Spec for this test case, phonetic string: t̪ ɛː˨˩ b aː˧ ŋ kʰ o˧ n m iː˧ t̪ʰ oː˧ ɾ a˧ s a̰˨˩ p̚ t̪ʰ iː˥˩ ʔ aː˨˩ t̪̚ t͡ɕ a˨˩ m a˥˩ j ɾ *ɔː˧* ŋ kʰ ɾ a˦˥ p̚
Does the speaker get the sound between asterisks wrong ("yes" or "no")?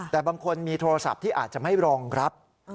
no